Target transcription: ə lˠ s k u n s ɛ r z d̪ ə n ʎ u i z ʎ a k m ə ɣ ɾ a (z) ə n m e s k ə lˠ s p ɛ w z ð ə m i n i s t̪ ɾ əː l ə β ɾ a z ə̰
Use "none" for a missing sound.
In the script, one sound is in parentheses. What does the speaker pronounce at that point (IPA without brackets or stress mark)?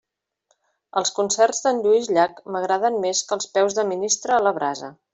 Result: ð